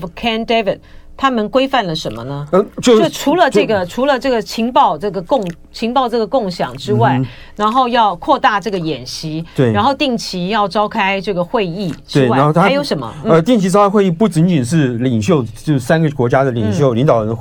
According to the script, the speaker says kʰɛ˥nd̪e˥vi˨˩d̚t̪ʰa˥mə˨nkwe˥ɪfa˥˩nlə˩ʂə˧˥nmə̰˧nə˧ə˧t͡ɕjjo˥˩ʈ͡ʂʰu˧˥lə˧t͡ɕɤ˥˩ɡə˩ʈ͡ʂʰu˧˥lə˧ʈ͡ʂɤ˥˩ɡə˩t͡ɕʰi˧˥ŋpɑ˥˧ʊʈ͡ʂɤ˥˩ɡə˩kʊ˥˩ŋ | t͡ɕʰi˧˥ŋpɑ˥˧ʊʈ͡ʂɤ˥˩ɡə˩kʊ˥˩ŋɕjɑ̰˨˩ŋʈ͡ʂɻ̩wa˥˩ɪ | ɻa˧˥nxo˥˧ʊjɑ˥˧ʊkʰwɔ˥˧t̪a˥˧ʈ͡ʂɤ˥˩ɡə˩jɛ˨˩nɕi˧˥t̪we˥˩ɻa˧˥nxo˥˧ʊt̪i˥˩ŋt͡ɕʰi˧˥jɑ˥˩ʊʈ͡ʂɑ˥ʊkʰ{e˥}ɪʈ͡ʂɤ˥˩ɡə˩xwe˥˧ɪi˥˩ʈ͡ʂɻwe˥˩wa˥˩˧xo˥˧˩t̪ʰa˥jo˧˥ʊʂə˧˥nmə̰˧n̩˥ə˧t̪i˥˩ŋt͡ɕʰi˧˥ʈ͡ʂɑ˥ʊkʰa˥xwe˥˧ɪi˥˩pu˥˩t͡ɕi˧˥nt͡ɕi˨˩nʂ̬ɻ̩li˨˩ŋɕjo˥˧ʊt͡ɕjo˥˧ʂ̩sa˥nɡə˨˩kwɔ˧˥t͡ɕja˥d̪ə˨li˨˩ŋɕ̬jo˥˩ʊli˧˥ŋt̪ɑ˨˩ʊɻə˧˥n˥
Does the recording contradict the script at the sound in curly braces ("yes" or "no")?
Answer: yes